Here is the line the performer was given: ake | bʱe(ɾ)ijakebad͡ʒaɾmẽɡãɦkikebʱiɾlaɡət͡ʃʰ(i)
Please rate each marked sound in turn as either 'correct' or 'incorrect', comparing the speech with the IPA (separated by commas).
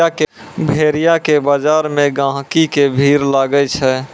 correct, incorrect